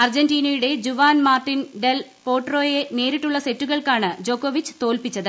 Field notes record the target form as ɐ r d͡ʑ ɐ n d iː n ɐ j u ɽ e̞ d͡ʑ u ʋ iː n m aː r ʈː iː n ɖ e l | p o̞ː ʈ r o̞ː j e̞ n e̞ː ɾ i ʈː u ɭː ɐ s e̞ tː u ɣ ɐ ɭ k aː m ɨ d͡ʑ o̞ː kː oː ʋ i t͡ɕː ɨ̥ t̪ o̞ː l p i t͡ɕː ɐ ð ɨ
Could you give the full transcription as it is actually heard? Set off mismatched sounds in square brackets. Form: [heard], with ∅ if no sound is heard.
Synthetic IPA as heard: ɐ r d͡ʑ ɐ n d iː n ɐ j u ɽ e̞ d͡ʑ u ʋ [aː] n m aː r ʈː [i] n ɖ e l | p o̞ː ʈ r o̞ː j e̞ n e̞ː ɾ i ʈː u ɭː ɐ s e̞ tː u ɣ ɐ ɭ k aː [ɳ] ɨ d͡ʑ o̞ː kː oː ʋ i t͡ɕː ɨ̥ t̪ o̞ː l p i t͡ɕː ɐ ð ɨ